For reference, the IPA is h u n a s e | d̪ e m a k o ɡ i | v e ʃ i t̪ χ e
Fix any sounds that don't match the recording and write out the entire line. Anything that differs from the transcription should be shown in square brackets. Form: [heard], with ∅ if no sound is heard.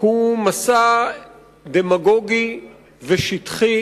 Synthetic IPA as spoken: h u [m] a s [a] | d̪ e m a [ɡ] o ɡ i | v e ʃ i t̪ χ [i]